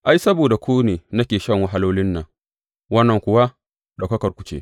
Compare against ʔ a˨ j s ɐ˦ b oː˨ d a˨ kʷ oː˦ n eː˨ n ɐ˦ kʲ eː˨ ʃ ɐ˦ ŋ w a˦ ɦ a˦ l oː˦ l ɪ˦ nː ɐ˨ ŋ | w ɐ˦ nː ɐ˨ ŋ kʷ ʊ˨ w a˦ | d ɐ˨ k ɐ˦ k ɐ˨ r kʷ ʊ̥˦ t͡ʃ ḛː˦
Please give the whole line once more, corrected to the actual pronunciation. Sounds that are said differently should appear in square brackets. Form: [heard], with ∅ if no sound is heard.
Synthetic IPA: ʔ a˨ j s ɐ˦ b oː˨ d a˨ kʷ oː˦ n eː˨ n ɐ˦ kʲ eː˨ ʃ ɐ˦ ŋ w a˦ ɦ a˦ l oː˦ l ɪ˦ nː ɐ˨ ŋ | w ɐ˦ nː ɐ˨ ŋ kʷ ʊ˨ w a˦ | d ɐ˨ k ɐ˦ k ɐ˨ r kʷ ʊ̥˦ t͡ʃ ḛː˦